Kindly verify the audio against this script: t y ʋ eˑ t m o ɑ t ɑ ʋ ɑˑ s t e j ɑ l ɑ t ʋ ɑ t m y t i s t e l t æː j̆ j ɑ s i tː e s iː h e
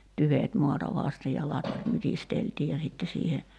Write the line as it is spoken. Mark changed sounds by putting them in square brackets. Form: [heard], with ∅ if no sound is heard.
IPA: t y ʋ eˑ t m [u] ɑ t ɑ ʋ ɑˑ s t e j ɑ l ɑ t ʋ ɑ t m y t i s t e l t [iː] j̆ j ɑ s i tː e s iː h e